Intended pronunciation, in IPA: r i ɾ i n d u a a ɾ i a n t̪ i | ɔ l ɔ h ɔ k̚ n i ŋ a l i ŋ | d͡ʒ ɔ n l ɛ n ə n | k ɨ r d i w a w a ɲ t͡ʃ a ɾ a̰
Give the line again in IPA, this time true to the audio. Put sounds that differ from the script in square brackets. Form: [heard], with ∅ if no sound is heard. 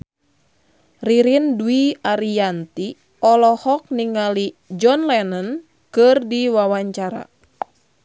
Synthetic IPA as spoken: r i ɾ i n d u [i] a ɾ i a n t̪ i | ɔ l ɔ h ɔ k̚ n i ŋ a l i [∅] | d͡ʒ ɔ n l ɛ n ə n | k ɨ r d i w a w a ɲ t͡ʃ a ɾ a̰